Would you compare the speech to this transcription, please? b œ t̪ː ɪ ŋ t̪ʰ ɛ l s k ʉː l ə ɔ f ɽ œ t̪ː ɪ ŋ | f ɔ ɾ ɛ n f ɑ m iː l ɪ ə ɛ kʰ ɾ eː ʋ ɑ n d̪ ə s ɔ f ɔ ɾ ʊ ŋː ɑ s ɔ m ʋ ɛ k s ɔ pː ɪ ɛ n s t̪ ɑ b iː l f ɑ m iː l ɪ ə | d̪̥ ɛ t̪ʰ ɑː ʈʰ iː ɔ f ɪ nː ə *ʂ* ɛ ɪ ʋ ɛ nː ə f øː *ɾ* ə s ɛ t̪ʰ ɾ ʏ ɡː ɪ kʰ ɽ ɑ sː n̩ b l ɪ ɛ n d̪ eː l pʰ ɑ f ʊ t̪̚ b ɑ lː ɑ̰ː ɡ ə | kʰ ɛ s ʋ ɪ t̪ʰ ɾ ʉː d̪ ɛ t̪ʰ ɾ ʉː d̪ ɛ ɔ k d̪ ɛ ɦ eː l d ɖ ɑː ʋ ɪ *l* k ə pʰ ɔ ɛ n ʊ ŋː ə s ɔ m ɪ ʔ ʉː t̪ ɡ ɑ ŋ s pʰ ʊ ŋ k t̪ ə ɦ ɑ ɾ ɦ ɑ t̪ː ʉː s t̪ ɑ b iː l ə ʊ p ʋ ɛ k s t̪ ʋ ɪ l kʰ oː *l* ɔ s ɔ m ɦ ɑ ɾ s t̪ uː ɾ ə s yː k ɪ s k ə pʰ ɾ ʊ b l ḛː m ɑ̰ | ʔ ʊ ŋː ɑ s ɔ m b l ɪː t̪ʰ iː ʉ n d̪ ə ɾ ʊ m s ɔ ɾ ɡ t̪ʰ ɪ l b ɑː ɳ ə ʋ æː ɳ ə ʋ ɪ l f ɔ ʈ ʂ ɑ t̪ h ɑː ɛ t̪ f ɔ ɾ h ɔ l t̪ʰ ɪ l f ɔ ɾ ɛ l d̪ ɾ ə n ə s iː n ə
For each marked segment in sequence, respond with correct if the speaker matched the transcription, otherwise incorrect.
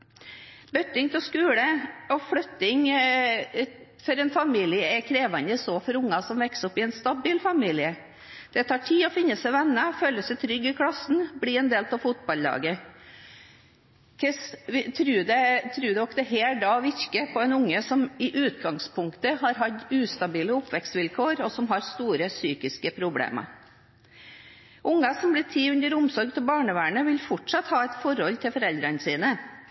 incorrect, incorrect, incorrect, incorrect

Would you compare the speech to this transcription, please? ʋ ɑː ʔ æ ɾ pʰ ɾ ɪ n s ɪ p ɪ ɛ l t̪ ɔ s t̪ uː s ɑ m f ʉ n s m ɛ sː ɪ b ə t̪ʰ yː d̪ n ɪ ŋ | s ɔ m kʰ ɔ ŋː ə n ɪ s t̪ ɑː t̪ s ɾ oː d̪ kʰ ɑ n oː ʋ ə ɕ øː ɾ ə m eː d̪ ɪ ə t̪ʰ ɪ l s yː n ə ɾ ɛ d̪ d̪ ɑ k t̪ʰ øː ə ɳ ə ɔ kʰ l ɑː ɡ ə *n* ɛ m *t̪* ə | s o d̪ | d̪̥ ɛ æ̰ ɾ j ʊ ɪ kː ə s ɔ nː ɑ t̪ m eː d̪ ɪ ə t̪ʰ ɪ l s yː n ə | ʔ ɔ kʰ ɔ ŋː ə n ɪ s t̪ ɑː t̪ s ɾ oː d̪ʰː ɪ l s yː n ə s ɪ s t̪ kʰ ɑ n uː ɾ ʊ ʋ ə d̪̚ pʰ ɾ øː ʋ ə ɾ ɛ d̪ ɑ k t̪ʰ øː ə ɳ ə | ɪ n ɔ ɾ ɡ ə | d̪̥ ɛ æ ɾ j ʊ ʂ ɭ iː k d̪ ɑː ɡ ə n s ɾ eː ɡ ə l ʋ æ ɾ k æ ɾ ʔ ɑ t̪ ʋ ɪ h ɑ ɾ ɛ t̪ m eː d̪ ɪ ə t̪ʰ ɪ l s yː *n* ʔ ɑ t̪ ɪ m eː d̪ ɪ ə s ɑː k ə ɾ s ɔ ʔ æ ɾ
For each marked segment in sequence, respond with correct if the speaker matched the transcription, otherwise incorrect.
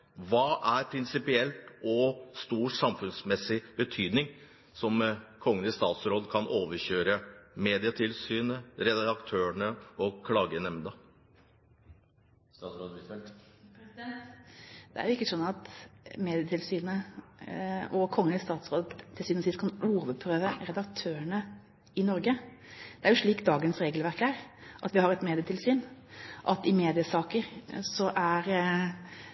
correct, incorrect, correct

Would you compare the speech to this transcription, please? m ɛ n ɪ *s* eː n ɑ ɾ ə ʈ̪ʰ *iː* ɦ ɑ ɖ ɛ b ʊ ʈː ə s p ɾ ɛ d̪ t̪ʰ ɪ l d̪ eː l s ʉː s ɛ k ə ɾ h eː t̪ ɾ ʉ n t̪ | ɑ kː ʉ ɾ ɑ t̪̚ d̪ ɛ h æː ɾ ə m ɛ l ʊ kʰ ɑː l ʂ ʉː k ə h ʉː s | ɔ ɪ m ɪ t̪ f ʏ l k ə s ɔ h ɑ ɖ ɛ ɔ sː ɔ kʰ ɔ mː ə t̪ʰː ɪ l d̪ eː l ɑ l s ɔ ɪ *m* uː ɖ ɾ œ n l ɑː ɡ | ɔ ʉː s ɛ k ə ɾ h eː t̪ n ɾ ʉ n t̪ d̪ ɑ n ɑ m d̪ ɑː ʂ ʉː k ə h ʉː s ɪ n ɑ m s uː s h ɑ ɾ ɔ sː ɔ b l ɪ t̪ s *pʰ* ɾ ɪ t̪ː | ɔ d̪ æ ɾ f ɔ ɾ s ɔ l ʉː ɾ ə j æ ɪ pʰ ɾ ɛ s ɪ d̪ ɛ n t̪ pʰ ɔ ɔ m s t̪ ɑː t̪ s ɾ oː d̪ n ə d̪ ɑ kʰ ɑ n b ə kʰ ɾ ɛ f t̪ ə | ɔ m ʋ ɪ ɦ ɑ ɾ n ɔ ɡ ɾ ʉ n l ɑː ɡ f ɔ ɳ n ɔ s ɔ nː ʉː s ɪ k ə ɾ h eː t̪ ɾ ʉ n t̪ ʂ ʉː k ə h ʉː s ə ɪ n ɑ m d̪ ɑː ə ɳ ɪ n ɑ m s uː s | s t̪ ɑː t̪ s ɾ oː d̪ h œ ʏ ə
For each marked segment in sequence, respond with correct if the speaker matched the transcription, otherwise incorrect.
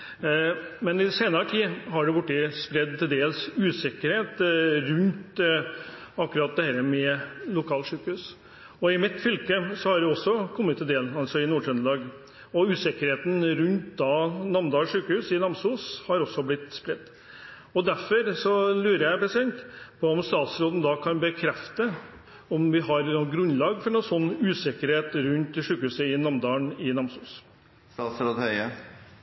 correct, correct, incorrect, incorrect

